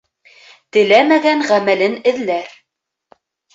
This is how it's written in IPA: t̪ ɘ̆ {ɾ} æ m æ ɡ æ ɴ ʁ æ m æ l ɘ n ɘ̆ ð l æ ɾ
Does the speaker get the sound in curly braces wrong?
yes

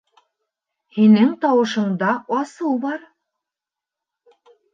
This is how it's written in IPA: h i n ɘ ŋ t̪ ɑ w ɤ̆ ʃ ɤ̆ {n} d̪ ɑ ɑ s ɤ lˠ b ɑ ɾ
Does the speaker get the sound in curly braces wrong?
yes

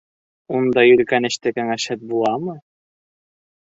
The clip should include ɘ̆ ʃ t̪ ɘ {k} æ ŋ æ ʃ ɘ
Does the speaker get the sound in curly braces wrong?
no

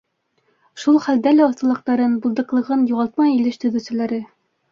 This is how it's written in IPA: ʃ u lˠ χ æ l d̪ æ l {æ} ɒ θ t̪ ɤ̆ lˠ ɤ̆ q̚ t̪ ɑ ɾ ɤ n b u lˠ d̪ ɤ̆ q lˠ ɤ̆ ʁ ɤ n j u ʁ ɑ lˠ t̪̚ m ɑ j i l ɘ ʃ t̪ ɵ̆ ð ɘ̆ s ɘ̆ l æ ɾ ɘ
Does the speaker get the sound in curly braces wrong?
no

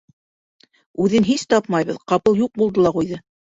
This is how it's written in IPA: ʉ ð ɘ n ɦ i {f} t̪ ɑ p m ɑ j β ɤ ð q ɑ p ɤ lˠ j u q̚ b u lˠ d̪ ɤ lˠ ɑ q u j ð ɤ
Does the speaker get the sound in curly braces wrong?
yes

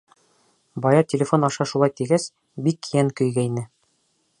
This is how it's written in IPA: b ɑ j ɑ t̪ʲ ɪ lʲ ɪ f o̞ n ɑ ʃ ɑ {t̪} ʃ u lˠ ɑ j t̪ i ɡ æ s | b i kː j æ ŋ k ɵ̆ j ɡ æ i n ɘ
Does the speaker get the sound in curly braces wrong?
yes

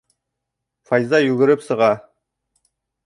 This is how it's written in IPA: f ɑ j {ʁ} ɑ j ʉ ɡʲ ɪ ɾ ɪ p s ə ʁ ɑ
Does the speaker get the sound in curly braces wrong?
yes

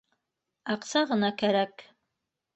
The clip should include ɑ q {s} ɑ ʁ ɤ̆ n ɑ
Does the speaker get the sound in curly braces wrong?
no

